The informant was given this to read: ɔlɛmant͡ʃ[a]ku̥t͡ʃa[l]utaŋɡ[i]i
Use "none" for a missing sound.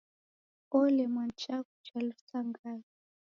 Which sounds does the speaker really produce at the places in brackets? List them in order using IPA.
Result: a, l, a

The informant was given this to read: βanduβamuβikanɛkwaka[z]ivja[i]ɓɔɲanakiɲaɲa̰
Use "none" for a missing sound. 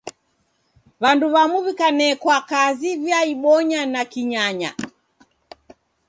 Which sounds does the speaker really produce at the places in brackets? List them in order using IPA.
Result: z, i

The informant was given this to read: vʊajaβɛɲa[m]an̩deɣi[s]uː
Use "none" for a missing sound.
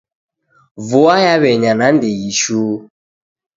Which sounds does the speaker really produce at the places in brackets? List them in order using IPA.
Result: n, ʃ

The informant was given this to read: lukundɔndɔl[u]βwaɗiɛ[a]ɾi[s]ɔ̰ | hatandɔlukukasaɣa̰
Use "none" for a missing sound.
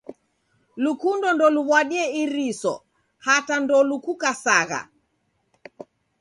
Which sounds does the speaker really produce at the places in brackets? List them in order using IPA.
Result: u, i, s

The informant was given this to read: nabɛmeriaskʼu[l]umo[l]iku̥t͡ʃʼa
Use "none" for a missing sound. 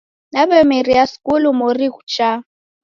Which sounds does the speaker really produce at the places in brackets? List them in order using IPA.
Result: l, r

